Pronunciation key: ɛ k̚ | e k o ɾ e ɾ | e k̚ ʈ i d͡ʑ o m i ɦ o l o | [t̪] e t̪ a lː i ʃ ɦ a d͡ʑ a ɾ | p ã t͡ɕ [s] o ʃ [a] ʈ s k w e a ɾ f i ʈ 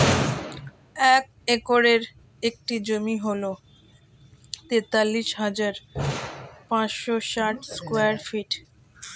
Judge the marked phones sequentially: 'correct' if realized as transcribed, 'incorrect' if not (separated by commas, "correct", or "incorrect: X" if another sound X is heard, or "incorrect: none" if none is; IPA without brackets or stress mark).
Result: correct, incorrect: ʃ, correct